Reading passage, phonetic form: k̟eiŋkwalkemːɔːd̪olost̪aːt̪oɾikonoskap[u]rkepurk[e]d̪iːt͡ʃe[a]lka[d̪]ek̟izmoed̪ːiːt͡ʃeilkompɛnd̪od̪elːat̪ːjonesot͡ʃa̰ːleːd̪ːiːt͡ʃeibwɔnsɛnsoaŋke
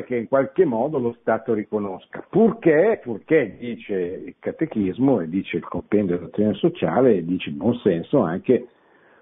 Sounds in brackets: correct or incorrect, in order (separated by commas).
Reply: correct, correct, incorrect, incorrect